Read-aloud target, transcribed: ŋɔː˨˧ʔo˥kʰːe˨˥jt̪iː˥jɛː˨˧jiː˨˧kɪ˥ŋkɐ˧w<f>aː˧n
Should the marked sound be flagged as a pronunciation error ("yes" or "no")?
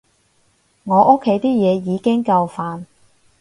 no